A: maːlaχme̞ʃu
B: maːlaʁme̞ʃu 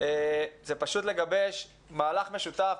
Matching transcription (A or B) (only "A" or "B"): A